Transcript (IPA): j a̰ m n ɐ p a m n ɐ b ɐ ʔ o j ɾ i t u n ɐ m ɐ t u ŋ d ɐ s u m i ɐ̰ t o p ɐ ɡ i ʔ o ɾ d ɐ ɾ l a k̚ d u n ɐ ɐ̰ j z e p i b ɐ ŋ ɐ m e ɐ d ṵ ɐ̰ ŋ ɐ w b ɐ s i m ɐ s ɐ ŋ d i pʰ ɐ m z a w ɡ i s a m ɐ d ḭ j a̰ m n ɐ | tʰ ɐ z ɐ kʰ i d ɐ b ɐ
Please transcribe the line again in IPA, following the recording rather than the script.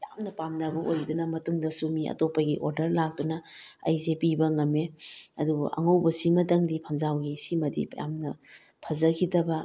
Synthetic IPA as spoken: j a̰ m n ɐ p a m n ɐ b ɐ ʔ o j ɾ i d u n ɐ m ɐ t u ŋ d ɐ s u m i ɐ̰ t o p ɐ ɡ i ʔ o ɾ d ɐ ɾ l a k̚ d u n ɐ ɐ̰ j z e p i b ɐ ŋ ɐ m e ɐ d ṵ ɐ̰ ŋ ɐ w b ɐ s i m ɐ t ɐ ŋ d i pʰ ɐ m z a w ɡ i s i m ɐ d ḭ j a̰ m n ɐ | pʰ ɐ z ɐ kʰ i d ɐ b ɐ